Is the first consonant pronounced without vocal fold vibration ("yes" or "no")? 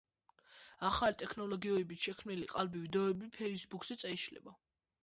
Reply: yes